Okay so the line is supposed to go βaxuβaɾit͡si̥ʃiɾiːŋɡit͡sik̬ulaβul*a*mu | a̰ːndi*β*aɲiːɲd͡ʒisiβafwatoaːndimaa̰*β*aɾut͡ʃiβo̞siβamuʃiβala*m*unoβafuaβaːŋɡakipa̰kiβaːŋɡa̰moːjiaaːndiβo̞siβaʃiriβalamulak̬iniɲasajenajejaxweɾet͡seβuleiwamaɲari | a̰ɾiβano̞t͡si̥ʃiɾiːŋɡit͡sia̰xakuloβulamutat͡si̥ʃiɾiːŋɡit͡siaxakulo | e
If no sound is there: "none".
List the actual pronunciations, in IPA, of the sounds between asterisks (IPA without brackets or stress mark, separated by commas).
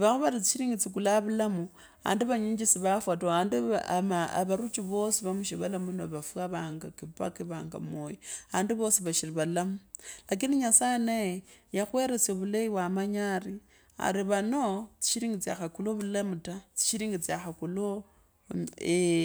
a, β, β, m